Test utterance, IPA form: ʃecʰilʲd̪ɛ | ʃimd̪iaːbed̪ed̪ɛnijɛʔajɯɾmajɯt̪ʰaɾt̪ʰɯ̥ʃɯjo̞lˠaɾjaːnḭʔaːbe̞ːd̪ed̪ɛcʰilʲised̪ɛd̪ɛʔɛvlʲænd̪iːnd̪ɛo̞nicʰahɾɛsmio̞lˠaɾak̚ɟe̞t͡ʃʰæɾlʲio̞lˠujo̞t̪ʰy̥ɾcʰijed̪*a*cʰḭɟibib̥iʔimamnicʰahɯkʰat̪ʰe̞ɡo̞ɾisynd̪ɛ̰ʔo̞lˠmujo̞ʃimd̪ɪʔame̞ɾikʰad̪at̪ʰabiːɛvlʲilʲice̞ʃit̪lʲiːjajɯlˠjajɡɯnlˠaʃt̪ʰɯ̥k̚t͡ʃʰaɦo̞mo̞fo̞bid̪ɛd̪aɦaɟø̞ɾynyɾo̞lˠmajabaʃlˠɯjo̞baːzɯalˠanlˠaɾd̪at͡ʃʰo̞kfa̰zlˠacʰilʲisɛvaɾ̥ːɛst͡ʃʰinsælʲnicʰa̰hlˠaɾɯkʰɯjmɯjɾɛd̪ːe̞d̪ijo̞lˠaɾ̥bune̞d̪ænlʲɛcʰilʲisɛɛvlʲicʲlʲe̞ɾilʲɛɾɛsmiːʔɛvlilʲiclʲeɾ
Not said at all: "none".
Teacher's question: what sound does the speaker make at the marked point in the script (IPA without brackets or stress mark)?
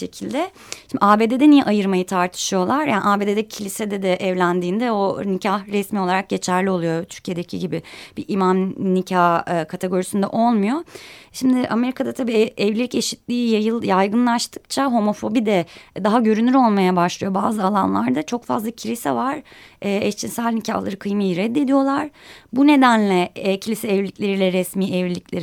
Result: e